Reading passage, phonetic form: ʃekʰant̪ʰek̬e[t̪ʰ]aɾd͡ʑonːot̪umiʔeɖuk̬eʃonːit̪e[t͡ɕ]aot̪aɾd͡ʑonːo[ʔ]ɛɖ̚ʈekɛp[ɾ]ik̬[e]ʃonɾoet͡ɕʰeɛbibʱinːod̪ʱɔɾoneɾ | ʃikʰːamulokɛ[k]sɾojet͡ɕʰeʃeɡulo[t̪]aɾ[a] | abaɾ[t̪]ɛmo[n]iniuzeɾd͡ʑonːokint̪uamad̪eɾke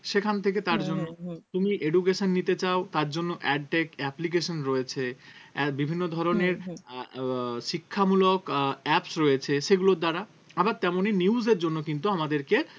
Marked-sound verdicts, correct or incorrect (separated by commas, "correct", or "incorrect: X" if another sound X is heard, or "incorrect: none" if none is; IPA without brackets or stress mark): incorrect: t̪, correct, correct, incorrect: l, correct, incorrect: p, incorrect: d̪, correct, correct, correct